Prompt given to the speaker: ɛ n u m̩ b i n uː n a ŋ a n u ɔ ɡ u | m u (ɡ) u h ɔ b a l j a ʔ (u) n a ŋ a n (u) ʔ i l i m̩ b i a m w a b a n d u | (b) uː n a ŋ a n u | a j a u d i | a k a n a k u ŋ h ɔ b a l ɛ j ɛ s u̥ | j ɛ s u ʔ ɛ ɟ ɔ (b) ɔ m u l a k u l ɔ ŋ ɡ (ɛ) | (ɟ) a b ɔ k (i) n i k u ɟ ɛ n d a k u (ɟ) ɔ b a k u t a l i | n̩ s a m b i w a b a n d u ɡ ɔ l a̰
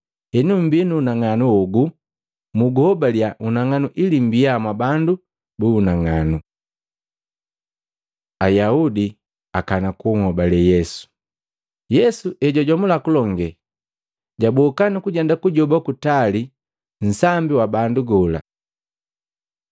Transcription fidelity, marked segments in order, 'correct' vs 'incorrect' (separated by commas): correct, correct, correct, correct, incorrect, correct, correct, incorrect, correct